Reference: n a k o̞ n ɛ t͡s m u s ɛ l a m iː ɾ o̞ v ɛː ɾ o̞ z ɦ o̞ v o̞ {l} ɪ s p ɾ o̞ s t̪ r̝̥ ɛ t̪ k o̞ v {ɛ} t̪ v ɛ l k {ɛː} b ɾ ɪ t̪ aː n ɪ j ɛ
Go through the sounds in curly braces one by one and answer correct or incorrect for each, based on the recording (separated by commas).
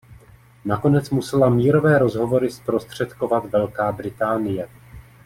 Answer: incorrect, incorrect, incorrect